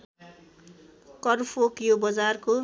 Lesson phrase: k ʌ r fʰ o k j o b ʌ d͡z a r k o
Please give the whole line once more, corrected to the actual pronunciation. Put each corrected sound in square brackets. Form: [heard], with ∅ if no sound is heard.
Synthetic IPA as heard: k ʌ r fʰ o k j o b ʌ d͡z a r k o